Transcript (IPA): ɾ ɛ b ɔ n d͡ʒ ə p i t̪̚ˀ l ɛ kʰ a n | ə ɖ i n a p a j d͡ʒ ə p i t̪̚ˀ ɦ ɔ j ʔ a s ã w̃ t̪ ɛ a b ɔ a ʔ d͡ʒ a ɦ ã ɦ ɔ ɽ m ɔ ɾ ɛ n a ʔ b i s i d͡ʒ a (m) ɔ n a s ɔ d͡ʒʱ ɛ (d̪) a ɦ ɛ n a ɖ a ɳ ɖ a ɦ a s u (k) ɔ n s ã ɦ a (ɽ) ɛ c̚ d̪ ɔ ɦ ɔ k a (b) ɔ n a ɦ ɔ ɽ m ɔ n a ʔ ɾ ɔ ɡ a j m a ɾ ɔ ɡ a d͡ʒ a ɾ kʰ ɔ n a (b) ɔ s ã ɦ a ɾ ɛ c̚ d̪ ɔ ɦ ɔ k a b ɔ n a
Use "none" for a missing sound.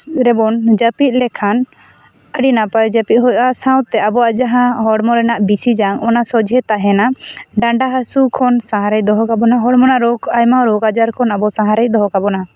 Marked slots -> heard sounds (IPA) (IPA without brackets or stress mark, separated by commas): ŋ, t̪, kʰ, ɾ, b, b